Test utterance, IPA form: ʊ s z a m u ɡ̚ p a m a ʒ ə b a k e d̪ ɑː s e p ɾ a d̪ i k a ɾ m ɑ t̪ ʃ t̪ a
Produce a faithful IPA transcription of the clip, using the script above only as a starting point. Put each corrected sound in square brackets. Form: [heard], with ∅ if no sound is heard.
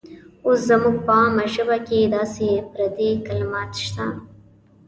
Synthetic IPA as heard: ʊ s z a m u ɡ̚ p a m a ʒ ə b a k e d̪ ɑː s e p ɾ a d̪ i k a [l] m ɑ t̪ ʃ t̪ a